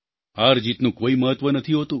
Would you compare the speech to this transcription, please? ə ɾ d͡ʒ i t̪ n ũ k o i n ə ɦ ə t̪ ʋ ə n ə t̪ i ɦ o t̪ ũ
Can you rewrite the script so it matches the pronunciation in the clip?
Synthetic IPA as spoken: a ɾ d͡ʒ i t̪ n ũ k o i m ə ɦ ə t̪ ʋ ə n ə t̪ʰ i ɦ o t̪ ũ